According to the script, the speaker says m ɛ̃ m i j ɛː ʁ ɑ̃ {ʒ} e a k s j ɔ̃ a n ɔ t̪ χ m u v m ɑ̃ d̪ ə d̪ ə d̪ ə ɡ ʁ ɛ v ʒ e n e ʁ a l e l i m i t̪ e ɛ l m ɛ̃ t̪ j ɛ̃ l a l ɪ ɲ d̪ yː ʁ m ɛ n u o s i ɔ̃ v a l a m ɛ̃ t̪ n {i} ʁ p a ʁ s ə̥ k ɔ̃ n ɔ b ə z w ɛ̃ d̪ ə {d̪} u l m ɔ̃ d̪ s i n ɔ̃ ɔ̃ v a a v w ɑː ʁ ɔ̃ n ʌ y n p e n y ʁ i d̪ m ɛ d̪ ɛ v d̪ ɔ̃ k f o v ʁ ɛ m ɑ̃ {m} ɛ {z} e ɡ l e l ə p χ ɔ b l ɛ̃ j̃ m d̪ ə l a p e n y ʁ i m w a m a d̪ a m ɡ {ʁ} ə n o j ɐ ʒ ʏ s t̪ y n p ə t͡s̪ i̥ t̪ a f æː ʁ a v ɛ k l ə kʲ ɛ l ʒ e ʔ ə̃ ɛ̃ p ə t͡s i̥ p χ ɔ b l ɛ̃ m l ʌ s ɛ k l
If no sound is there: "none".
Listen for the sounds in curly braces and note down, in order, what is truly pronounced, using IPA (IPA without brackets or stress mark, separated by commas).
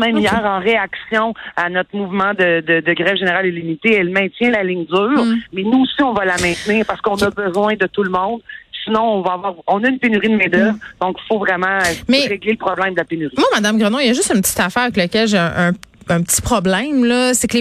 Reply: ʁ, iː, t̪, m, ʁ, ʁ